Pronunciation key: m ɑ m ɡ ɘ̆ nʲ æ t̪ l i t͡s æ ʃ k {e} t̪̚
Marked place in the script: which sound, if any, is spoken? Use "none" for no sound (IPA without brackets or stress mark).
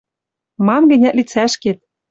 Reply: e